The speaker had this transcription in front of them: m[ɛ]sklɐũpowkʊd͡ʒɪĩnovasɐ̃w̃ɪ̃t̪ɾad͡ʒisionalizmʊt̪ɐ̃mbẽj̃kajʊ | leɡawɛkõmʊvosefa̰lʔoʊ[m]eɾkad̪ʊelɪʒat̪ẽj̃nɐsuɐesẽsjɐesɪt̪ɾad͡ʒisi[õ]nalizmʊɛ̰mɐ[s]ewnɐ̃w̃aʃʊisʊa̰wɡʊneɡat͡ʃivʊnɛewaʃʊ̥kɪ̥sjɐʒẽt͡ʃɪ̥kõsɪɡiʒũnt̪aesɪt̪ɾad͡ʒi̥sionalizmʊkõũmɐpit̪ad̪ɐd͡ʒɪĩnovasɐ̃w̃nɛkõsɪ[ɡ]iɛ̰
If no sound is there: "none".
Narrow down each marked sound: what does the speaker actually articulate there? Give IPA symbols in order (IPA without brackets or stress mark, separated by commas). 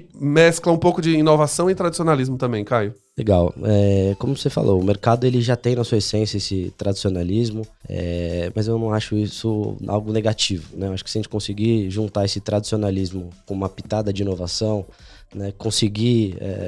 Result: ɛ, m, o, z, ɡ